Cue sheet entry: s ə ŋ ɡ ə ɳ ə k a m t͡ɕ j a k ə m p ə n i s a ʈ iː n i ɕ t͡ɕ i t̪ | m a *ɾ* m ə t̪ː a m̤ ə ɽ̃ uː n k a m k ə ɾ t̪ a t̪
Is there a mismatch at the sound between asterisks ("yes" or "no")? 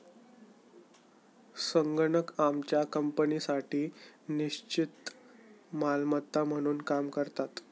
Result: yes